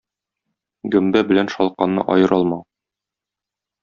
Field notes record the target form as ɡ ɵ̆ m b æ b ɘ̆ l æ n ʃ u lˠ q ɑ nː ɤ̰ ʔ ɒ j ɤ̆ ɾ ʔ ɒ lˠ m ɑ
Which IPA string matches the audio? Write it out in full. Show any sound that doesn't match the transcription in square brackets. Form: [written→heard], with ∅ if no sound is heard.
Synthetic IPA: ɡ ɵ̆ m b æ b ɘ̆ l æ n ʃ [u→ɒ] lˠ q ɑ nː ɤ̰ ʔ ɒ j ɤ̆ ɾ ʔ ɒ lˠ m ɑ